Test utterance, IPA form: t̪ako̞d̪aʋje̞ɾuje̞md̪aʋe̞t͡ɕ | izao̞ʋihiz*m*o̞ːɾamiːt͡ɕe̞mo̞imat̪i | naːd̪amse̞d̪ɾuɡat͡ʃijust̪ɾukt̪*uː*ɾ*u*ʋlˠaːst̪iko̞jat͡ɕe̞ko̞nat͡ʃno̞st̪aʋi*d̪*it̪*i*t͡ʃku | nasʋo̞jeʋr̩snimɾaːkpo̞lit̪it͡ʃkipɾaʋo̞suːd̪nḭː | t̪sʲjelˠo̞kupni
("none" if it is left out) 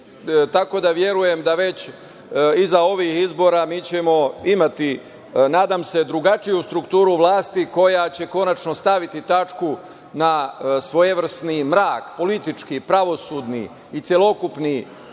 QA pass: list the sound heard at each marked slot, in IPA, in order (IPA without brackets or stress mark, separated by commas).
b, uː, u, t̪, a